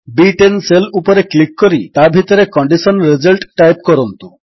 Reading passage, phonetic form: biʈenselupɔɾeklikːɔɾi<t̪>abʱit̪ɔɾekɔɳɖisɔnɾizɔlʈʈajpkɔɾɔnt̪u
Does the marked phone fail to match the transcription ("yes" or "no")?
no